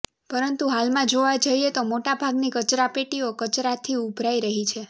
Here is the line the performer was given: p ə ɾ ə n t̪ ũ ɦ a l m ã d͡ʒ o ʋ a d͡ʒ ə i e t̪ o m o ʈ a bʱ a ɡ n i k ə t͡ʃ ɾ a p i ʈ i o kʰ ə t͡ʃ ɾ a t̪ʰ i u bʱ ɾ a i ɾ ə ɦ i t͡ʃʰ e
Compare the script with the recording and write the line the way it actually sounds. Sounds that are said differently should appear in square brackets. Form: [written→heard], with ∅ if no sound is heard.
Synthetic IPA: p ə ɾ ə n t̪ [ũ→u] ɦ a l m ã d͡ʒ o ʋ a d͡ʒ ə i e t̪ o m o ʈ a bʱ a ɡ n i k ə t͡ʃ ɾ a p [i→e] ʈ i o [kʰ→k] ə t͡ʃ ɾ a t̪ʰ i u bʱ ɾ a i ɾ ə ɦ i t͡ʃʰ e